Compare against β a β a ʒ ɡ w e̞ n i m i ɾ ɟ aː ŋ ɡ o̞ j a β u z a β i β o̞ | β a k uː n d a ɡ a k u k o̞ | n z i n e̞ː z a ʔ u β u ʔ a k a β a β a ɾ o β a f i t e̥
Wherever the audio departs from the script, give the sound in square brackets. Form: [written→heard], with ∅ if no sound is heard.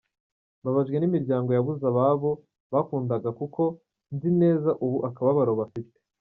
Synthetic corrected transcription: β a β a ʒ ɡ w e̞ n i m i ɾ ɟ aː ŋ ɡ o̞ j a β u z a β [i→a] β o̞ | β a k uː n d a ɡ a k u k o̞ | n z i n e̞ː z a ʔ u β u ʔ a k a β a β a ɾ o β a f i t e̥